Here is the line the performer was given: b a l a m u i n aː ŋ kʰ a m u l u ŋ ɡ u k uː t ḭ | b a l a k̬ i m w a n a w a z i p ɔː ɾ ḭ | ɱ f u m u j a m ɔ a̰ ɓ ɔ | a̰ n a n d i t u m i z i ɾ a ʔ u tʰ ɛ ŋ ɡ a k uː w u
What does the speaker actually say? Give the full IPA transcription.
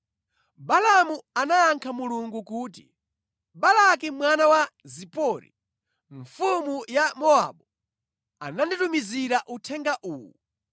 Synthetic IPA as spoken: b a l a m u a n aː ŋ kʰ a m u l u ŋ ɡ u k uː t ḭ | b a l a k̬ i m w a n a w a z i p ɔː ɾ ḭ | ɱ f u m u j a m ɔ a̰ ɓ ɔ | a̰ n a n d i t u m i z i ɾ a ʔ u tʰ ɛ ŋ ɡ a ʔ uː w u